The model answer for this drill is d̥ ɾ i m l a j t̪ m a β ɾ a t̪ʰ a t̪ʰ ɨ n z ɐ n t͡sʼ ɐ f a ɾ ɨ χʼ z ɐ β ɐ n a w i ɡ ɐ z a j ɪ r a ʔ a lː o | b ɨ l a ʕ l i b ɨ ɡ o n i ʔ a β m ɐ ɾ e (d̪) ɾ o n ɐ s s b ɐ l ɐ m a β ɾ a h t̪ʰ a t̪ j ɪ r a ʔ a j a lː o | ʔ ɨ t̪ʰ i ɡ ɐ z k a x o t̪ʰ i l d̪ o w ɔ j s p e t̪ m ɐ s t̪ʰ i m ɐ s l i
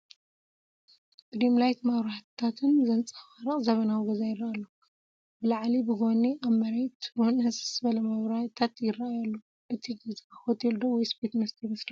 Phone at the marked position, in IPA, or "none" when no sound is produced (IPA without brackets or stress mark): t̪